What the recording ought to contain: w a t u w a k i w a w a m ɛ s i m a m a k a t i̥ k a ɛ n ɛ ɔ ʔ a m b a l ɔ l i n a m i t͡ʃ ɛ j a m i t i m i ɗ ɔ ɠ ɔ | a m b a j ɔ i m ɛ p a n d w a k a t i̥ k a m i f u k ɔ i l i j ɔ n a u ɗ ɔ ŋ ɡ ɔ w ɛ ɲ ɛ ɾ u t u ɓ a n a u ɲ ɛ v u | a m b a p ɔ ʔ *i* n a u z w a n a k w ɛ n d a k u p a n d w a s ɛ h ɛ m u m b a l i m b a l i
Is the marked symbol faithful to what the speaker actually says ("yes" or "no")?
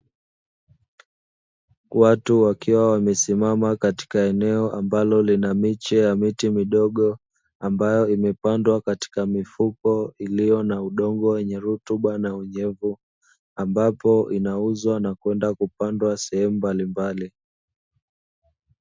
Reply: yes